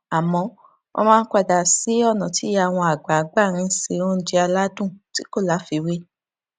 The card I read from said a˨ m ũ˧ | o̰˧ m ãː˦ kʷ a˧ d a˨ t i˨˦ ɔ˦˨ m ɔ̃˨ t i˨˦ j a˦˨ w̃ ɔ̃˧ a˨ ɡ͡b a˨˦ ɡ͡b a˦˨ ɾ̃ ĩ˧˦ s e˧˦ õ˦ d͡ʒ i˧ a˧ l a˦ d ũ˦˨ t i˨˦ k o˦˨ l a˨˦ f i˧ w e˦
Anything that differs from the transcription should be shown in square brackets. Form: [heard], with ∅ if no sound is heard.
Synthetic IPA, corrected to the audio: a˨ m [ɔ̃˧] | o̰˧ m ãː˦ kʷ a˧ d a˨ [s] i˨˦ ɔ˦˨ [n] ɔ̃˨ t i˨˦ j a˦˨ w̃ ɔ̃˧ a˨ ɡ͡b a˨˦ ɡ͡b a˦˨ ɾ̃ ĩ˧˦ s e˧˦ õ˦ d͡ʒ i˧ a˧ l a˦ d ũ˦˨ t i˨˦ k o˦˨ l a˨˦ f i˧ w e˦

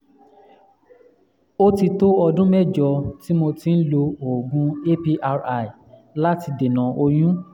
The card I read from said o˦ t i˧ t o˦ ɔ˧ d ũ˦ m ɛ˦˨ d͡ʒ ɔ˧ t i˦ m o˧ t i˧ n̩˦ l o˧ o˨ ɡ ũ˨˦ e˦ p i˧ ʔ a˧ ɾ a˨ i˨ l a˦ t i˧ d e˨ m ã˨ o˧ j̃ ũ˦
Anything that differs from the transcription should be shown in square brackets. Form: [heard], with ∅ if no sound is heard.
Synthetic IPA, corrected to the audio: o˦ t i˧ t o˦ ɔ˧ d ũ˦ m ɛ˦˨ d͡ʒ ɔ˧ t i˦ m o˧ t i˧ n̩˦ l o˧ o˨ ɡ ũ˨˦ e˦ p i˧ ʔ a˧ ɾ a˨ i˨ l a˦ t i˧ d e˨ [n] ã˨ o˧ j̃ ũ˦

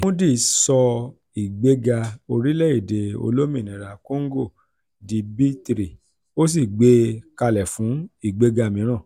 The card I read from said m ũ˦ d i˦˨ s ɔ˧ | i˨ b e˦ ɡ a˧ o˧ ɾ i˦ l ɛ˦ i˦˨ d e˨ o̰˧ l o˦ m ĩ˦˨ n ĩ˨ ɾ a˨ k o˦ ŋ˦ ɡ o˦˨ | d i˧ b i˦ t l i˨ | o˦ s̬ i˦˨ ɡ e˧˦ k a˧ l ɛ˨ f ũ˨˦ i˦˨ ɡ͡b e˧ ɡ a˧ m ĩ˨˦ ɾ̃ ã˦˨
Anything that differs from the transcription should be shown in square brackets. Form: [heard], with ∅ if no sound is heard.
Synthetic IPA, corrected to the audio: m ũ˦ d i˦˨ s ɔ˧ | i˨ [ɡ͡b] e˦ ɡ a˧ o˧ ɾ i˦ l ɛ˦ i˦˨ d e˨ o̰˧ l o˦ m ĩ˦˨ n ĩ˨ ɾ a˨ k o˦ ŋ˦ ɡ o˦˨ | d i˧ b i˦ t [ɾ] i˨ | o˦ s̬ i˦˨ [ɡ͡b] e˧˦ k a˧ l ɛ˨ f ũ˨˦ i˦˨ ɡ͡b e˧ ɡ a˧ m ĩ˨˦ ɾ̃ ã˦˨

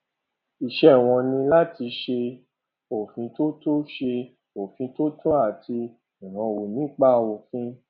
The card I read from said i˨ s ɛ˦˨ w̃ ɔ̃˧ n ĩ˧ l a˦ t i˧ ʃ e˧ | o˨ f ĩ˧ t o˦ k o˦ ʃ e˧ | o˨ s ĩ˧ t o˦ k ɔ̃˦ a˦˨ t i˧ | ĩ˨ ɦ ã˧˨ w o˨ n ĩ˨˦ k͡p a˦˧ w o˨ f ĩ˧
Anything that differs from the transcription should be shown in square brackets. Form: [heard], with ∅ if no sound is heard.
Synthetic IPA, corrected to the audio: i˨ [ʃ] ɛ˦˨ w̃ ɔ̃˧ n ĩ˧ l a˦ t i˧ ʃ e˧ | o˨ f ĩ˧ t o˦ [t] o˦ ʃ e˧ | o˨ [f] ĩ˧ t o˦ [t] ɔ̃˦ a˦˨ t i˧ | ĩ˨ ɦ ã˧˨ w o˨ n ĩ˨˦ k͡p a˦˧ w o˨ f ĩ˧

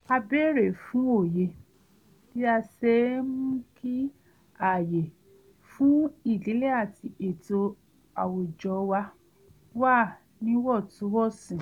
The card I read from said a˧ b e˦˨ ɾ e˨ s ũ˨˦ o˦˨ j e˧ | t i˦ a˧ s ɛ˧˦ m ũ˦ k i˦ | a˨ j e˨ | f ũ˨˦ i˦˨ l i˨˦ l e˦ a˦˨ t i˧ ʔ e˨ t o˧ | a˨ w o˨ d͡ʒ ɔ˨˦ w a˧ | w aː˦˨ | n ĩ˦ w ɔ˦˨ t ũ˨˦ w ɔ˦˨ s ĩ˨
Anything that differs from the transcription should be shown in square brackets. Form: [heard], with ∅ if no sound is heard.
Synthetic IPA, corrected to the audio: a˧ b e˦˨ ɾ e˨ [f] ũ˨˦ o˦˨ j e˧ | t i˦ a˧ s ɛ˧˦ m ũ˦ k i˦ | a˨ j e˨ | f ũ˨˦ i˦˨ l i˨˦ l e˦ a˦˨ t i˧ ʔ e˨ t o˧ | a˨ w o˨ d͡ʒ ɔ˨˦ w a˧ | w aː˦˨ | n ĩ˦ w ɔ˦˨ t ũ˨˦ w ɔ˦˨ s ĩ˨

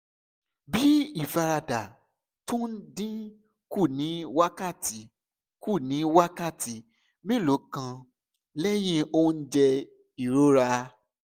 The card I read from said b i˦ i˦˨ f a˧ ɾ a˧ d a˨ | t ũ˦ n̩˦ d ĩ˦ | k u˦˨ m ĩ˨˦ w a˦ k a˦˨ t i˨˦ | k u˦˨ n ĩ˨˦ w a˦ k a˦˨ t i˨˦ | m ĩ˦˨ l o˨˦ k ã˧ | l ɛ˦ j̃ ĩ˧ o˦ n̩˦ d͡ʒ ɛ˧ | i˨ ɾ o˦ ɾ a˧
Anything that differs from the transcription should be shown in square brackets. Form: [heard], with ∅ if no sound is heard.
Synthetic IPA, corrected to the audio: b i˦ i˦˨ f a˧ ɾ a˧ d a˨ | t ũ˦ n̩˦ d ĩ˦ | k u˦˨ [n] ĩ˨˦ w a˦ k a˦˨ t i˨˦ | k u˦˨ n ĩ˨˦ w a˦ k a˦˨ t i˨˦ | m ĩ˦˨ l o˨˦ k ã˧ | l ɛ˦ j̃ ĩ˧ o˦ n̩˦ d͡ʒ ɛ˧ | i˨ ɾ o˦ ɾ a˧

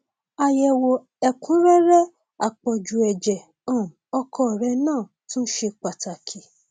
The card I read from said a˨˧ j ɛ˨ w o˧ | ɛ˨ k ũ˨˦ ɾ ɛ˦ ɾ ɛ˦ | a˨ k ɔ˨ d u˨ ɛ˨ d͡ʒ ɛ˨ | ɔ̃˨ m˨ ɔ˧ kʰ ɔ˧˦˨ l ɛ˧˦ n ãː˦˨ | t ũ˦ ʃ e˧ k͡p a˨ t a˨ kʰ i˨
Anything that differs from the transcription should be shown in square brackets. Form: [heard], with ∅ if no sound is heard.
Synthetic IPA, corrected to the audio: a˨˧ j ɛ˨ w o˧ | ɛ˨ k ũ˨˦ ɾ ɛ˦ ɾ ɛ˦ | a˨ [k͡p] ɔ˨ [d͡ʒ] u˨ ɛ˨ d͡ʒ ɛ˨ | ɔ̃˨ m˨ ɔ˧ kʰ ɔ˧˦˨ [ɾ] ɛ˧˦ n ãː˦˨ | t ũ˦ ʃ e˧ k͡p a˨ t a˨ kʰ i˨

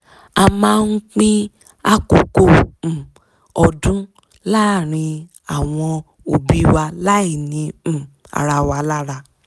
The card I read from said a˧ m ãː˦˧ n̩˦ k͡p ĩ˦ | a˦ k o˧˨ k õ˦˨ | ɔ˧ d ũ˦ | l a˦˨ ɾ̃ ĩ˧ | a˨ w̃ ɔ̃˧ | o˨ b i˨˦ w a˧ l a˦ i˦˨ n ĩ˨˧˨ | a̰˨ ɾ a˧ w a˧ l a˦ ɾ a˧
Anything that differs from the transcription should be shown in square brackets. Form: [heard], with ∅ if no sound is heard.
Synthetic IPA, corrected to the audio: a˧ m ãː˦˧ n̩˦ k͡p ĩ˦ | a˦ k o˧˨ k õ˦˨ | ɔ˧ d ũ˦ | l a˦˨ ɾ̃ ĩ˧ | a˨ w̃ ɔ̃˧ | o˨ b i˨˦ w a˧ l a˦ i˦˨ n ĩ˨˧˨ | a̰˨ ɾ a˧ w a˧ l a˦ ɾ a˧

